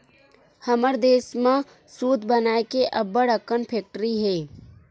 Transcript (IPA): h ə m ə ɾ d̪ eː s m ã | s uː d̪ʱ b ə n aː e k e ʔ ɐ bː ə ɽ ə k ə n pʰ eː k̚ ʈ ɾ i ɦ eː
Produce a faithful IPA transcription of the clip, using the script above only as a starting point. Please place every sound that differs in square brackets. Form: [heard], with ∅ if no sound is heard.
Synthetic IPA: h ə m ə ɾ d̪ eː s m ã | s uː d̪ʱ b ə n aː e k e ʔ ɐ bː ə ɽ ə k ə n pʰ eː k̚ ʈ ɾ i ɦ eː